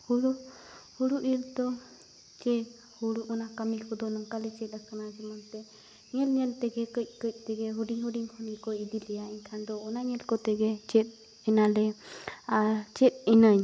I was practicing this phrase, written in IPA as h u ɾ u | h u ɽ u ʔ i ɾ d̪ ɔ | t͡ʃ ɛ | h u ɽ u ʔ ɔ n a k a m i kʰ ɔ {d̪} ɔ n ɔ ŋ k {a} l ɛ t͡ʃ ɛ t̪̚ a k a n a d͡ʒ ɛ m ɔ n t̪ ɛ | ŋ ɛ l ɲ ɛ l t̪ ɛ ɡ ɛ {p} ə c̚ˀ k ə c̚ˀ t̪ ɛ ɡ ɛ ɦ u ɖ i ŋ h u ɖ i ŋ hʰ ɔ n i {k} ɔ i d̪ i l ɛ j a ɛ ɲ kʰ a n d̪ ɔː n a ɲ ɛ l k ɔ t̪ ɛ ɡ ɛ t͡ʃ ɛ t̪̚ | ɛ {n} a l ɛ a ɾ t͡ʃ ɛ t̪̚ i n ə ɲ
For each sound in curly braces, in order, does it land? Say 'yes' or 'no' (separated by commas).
yes, yes, no, yes, yes